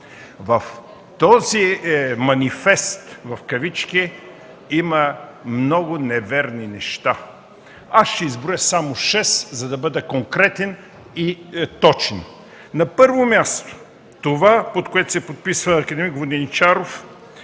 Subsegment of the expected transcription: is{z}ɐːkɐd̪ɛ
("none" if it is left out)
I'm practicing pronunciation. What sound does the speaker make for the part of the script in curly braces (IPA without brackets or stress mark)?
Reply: v